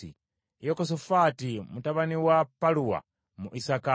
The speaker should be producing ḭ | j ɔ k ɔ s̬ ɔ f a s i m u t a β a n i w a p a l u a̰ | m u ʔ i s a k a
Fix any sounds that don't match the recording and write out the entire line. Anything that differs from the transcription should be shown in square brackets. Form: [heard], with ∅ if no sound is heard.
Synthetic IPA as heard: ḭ | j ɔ k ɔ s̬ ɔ f a [t] i m u t a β a n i w a p a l u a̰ | m u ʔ i s a k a